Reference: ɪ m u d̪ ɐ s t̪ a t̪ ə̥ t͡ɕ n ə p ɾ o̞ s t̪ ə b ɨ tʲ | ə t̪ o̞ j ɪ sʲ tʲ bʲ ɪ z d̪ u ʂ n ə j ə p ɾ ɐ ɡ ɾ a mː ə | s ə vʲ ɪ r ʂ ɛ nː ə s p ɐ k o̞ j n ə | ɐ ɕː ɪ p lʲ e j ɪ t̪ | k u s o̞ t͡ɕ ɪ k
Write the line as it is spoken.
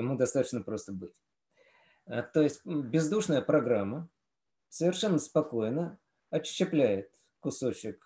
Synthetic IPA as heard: ɪ m u d̪ ɐ s t̪ a t̪ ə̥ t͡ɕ n ə p ɾ o̞ s t̪ ə b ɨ tʲ | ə t̪ o̞ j ɪ sʲ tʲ bʲ ɪ z d̪ u ʂ n ə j ə p ɾ ɐ ɡ ɾ a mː ə | s ə vʲ ɪ r ʂ ɛ nː ə s p ɐ k o̞ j n ə | ɐ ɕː ɪ p lʲ æ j ɪ t̪ | k ʊ s o̞ t͡ɕ ɪ k